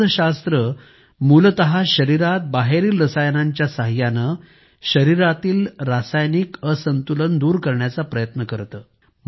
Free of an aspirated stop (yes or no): yes